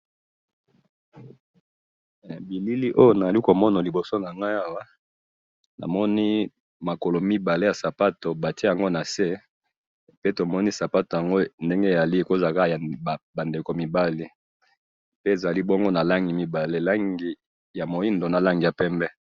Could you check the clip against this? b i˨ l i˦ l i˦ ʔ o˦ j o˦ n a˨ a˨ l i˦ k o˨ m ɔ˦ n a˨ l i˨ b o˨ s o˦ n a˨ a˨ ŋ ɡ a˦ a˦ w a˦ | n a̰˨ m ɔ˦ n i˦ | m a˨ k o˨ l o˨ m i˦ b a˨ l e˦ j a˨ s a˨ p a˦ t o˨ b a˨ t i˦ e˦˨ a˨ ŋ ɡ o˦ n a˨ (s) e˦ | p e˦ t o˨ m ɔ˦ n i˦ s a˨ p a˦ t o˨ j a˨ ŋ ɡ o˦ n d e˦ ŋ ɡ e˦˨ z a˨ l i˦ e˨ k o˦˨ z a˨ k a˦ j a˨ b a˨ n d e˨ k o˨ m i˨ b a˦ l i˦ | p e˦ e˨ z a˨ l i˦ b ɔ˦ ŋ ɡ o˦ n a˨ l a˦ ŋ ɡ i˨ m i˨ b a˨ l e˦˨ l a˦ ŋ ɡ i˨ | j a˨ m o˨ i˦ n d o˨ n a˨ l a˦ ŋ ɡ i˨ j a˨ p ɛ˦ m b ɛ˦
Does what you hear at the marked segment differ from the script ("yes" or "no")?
no